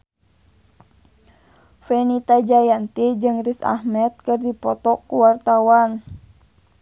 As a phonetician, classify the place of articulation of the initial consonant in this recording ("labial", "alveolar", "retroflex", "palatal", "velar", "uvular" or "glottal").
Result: labial